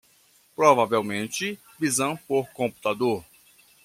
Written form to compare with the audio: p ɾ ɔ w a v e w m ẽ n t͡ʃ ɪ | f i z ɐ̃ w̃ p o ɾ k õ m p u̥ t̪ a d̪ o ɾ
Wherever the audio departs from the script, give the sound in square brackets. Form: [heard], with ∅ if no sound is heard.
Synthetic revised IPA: p ɾ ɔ [v] a v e w m ẽ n t͡ʃ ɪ | [v] i z ɐ̃ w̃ p o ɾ k õ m p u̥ t̪ a d̪ o ɾ